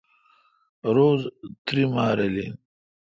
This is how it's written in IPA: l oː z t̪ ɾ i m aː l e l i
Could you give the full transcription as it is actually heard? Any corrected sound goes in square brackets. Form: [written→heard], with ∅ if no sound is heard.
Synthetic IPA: [l→ɾ] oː z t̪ ɾ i m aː [l→ɾ] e l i